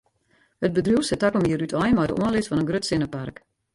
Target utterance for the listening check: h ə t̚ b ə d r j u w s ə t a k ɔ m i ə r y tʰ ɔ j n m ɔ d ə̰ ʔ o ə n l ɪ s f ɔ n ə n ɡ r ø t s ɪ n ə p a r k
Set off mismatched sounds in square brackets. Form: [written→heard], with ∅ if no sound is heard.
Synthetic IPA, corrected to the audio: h ə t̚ b ə d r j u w s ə t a k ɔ m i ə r y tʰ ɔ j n m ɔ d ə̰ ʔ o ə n l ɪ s f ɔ n ə n ɡ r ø t s ɪ n ə p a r k

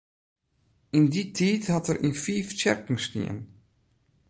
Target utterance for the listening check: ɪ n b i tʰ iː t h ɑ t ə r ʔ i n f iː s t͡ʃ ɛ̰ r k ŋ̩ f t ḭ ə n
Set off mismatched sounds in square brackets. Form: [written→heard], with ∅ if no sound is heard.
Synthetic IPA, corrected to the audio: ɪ n [b→d] i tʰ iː t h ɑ t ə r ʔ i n f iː [s→f] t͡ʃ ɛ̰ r k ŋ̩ [f→s] t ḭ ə n

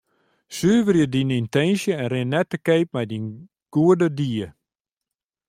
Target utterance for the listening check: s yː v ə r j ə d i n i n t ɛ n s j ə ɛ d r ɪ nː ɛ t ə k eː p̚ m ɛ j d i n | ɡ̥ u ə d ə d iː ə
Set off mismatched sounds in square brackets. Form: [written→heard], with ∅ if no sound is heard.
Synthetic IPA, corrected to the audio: s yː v ə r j ə d i n i n t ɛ n s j ə ɛ [d→n] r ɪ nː ɛ t ə k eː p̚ m ɛ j d i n | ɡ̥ u ə d ə d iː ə

